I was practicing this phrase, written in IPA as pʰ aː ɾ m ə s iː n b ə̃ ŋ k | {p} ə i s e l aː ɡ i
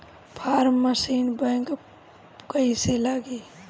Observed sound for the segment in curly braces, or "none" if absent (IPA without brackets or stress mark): k